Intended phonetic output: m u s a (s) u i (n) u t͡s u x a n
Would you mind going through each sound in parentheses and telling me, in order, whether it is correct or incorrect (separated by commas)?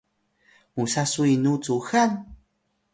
correct, correct